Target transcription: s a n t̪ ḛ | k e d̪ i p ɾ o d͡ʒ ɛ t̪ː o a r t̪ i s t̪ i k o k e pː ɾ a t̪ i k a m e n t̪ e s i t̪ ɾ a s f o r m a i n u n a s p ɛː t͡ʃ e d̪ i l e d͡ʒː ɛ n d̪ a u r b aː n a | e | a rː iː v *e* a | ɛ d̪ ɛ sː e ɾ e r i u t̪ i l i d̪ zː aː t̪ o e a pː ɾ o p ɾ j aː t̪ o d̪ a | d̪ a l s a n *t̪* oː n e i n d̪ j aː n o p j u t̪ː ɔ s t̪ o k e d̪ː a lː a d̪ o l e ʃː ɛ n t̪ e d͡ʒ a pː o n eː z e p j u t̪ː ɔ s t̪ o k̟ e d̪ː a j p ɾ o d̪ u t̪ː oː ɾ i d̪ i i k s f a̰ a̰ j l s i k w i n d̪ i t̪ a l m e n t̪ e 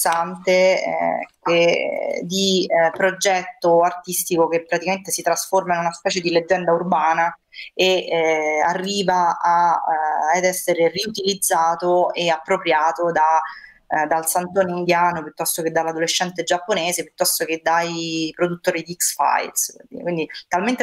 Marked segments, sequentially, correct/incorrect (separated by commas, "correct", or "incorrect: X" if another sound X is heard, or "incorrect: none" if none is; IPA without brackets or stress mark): incorrect: a, correct